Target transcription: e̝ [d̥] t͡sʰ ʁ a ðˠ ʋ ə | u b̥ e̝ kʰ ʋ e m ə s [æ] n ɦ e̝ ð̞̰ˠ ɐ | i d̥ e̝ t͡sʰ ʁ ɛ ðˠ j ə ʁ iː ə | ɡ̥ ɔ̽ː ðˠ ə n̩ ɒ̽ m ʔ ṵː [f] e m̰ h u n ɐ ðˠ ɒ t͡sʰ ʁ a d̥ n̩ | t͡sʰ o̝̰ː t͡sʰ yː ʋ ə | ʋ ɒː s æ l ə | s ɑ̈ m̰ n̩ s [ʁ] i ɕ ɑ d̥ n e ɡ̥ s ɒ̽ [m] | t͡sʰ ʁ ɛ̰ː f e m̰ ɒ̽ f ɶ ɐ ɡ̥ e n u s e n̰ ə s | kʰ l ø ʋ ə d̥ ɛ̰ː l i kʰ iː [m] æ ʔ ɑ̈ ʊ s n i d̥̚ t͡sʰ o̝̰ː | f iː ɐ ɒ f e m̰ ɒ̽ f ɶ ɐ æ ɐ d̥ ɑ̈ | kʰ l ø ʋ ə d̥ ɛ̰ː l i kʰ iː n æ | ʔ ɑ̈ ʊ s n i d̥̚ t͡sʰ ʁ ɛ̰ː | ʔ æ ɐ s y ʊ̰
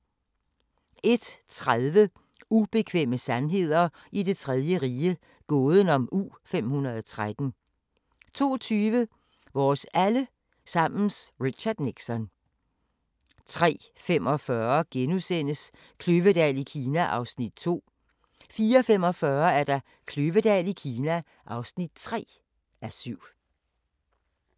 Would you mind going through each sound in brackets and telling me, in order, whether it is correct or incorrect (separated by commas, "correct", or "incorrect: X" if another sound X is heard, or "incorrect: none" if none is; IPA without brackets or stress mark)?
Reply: correct, correct, correct, correct, incorrect: n, incorrect: n